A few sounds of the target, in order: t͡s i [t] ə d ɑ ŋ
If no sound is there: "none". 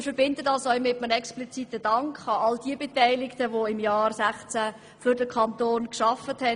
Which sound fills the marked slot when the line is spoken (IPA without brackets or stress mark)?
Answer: t